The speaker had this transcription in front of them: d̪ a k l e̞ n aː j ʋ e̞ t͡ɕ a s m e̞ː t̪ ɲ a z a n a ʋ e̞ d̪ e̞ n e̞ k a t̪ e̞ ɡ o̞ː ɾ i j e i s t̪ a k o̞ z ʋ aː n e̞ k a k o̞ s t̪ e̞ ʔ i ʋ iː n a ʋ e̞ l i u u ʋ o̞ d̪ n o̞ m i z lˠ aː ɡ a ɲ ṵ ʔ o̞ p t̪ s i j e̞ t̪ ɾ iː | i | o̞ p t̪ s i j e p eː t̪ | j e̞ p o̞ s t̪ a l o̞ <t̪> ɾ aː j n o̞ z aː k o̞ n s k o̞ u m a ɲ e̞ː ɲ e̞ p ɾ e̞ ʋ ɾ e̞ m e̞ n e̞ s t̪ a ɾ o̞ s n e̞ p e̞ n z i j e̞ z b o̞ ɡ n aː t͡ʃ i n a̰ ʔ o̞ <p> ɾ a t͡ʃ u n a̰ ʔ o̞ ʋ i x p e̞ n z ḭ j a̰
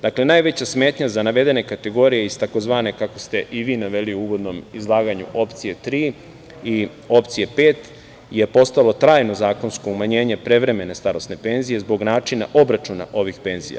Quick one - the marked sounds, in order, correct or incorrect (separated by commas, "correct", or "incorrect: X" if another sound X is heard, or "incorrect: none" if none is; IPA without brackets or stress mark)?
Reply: correct, incorrect: b